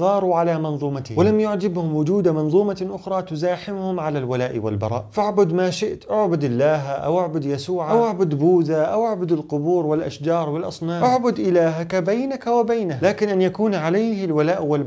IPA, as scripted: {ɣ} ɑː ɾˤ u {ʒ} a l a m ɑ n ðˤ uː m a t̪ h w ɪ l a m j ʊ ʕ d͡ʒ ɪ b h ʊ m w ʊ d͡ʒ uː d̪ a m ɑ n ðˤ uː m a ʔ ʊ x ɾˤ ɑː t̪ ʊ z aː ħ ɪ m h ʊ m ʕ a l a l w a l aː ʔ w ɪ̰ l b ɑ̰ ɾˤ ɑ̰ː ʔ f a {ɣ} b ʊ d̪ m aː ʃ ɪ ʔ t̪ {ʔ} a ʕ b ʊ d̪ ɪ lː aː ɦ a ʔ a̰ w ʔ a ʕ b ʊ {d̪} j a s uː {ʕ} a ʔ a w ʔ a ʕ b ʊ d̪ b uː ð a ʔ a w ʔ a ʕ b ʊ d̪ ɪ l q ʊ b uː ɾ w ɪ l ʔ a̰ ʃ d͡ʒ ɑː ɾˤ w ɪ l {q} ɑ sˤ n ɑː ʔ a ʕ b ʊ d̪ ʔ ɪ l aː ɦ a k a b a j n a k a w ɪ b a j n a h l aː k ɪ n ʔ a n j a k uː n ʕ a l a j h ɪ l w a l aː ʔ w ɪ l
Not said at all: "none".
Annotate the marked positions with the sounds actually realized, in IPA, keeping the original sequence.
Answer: ɣ, ʕ, ʕ, ʔ, d̪, ʕ, ʔ

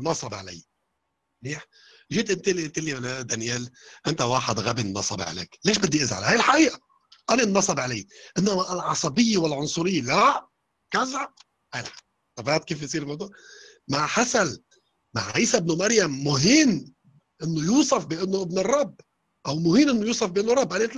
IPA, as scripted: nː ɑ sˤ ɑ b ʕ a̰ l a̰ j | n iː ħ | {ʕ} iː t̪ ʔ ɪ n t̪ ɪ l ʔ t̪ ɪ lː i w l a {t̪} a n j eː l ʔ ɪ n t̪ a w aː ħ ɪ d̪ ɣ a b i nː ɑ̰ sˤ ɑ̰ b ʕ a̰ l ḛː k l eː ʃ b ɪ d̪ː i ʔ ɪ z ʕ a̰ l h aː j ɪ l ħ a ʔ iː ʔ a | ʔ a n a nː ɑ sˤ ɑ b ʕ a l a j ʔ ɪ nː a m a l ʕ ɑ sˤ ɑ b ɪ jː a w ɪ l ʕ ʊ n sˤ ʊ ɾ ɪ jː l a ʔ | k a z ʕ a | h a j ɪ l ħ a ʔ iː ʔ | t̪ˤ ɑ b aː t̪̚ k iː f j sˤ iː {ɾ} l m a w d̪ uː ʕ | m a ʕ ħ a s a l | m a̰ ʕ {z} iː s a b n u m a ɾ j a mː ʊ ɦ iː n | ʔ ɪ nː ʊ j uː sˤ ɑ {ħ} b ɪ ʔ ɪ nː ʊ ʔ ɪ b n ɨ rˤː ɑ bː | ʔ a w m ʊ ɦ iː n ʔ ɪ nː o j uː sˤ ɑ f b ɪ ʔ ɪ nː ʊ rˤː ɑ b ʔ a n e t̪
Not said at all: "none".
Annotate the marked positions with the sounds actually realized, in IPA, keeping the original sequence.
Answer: ʒ, d̪, ɾ, ʕ, f

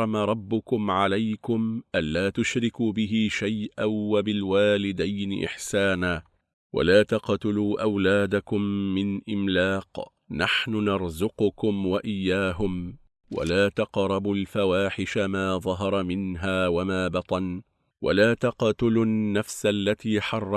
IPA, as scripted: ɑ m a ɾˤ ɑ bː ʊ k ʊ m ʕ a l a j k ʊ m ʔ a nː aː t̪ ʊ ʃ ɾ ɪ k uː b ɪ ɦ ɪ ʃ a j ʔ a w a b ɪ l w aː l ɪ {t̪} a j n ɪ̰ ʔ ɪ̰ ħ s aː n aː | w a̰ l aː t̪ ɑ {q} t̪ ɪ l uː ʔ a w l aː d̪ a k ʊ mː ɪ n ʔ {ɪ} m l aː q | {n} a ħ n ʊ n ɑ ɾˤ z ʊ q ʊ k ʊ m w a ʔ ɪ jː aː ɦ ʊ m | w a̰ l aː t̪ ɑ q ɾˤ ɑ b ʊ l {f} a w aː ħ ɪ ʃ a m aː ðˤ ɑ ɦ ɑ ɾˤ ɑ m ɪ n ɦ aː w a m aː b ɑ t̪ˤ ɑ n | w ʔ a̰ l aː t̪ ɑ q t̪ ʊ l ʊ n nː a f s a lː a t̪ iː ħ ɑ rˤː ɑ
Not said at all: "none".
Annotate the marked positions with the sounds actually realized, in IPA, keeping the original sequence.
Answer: d̪, q, ɪ, n, f

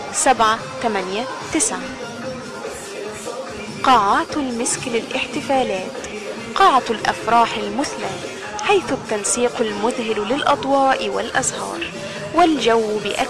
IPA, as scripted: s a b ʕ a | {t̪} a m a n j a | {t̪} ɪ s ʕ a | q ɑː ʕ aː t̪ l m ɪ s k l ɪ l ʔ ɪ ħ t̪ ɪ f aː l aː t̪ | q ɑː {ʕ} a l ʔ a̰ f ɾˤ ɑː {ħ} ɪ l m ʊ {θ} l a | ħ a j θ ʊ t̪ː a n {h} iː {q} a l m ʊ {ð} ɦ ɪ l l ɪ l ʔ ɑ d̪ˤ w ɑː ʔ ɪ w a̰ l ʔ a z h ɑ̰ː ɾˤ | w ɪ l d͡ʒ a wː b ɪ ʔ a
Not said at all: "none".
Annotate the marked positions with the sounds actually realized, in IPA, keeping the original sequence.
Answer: t̪, t̪, ʕ, ħ, θ, s, q, ð

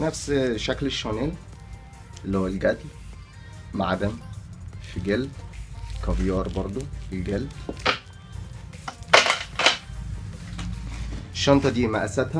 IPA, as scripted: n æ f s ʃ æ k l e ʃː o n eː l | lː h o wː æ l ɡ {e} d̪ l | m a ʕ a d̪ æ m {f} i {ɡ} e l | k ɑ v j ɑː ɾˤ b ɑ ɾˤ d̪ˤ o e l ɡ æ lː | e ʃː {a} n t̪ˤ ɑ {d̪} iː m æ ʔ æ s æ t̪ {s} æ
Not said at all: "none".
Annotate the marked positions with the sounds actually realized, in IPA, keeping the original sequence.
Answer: æ, f, ɡ, ɑ, d̪, h

